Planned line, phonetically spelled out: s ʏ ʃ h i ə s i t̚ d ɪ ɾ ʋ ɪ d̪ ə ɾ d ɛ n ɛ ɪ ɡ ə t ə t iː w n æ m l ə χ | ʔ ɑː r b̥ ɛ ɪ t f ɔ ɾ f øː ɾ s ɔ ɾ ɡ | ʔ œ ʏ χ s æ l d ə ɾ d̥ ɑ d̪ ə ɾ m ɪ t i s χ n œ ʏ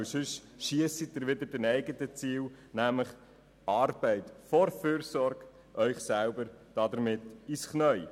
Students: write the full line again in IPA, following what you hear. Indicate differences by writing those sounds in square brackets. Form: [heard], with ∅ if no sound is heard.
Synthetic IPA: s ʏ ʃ [ʃ] i ə s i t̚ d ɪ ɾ ʋ ɪ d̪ ə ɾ d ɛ n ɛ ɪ ɡ ə t ə [t͡s] iː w n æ m l ə χ | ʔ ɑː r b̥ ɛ ɪ t f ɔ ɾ f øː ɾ s ɔ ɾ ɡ | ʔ œ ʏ χ s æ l [b] ə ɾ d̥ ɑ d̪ ə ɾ m ɪ t i s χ n œ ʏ